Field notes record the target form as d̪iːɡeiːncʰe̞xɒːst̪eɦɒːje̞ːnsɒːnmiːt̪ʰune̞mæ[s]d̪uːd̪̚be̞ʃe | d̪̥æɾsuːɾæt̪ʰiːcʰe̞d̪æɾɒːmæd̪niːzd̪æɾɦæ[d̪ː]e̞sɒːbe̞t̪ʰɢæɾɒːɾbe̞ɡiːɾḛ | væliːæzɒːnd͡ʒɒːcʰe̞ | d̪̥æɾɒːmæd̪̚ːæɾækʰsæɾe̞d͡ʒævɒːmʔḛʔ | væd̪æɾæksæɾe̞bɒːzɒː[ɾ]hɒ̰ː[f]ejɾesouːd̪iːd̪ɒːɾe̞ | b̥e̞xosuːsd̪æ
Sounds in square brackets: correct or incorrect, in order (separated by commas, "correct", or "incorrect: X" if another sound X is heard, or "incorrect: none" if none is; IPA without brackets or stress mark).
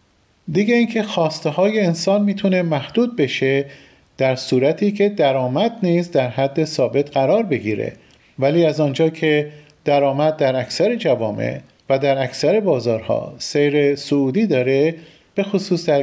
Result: incorrect: h, correct, correct, incorrect: s